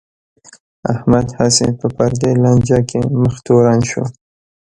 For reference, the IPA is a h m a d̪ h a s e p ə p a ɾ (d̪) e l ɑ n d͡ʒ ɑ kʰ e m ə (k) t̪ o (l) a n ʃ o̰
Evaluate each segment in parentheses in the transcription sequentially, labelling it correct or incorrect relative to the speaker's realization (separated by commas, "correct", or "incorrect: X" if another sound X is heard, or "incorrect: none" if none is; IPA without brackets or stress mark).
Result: correct, incorrect: x, incorrect: ɾ